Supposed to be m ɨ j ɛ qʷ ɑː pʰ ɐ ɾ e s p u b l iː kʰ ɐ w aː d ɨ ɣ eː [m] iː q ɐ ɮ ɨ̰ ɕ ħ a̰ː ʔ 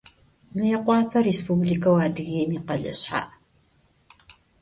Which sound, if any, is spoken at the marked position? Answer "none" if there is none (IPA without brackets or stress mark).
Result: m